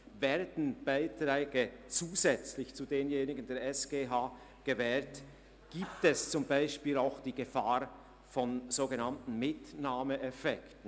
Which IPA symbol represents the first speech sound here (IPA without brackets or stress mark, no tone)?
v